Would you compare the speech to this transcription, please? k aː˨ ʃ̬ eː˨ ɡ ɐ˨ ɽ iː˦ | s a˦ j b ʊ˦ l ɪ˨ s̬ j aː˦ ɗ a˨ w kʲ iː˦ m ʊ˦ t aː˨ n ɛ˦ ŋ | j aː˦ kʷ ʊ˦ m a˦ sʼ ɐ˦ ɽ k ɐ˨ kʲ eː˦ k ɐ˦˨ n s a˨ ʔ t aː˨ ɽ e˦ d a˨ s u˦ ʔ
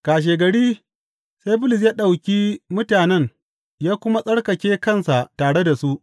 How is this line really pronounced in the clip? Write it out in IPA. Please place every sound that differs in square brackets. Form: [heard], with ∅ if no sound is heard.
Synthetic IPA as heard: k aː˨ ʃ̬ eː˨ ɡ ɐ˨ ɽ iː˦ | s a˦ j b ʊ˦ l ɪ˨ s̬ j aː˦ ɗ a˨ w kʲ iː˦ m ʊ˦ t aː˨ n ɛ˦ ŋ | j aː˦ kʷ ʊ˦ m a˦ sʼ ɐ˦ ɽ k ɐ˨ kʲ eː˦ k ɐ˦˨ n s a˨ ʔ t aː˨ ɽ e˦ d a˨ s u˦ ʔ